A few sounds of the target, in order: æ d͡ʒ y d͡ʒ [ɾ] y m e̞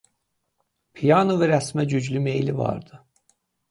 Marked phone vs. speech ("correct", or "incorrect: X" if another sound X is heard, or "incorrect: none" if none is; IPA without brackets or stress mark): incorrect: l